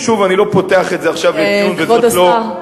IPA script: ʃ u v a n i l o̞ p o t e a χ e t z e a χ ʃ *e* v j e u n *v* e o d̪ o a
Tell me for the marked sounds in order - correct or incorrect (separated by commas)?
incorrect, correct